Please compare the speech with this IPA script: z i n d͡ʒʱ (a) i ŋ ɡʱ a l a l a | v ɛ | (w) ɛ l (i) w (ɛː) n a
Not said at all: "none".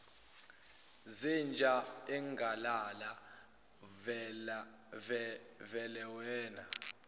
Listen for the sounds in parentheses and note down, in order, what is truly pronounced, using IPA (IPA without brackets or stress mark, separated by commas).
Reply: a, v, ɛ, ɛː